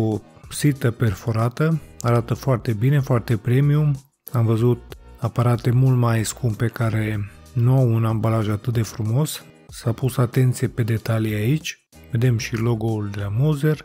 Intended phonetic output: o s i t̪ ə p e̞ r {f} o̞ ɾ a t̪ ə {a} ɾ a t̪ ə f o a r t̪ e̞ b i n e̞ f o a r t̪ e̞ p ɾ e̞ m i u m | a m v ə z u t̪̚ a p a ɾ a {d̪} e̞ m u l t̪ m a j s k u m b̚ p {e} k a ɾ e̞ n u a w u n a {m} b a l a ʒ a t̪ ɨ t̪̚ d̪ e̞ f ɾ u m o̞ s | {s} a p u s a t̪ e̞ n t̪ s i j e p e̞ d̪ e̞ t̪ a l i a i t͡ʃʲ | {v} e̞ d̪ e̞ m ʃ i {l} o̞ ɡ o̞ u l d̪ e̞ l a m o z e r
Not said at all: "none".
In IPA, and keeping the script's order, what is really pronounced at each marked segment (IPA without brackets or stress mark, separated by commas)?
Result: f, a, t̪, e, m, s, v, l